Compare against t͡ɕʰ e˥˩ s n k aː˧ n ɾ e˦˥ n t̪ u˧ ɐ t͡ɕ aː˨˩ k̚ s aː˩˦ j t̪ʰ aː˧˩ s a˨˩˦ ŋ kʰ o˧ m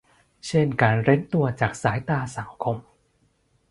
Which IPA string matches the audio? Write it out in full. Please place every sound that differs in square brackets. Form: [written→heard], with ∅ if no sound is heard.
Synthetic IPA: t͡ɕʰ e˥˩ [s→∅] n k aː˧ n ɾ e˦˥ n t̪ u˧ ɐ t͡ɕ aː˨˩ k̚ s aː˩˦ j [t̪ʰ→t̪] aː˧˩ s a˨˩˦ ŋ kʰ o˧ m